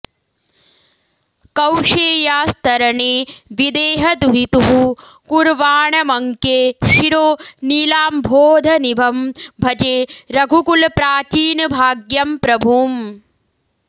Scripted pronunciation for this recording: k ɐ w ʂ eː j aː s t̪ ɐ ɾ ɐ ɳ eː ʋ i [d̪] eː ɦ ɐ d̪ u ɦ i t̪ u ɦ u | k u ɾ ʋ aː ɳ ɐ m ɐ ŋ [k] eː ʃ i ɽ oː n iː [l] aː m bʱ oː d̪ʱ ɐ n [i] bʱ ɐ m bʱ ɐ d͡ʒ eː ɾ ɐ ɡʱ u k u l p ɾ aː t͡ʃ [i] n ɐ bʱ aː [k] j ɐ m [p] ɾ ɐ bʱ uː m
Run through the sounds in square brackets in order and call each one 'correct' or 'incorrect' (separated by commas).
correct, correct, correct, correct, incorrect, incorrect, correct